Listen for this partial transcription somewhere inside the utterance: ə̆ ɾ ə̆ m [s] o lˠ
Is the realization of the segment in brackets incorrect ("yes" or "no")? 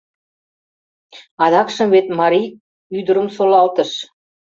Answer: no